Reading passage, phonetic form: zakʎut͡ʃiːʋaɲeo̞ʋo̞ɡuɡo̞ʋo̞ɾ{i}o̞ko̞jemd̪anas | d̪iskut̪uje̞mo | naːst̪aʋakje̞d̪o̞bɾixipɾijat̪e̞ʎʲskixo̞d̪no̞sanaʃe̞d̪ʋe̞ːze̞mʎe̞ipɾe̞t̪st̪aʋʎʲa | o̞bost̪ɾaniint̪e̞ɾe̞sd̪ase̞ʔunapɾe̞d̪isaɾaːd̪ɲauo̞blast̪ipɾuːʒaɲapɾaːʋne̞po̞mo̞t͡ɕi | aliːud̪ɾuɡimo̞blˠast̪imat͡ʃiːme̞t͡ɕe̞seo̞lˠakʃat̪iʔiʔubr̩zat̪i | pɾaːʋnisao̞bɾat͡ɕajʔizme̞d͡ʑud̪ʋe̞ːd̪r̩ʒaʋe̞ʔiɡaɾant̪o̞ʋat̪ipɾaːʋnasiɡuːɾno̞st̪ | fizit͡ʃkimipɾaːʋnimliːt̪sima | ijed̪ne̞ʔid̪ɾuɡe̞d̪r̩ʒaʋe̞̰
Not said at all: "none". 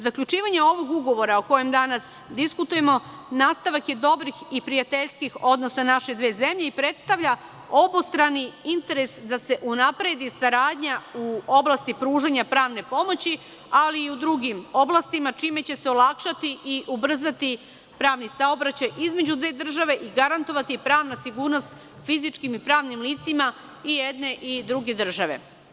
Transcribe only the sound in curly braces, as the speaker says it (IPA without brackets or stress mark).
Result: a